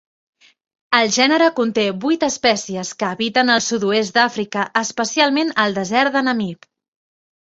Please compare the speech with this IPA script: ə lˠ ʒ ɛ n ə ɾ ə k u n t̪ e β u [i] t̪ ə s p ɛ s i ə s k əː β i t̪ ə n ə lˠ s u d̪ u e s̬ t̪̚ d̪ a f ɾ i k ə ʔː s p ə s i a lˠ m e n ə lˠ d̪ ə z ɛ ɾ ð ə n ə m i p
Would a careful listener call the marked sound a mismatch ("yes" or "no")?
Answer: yes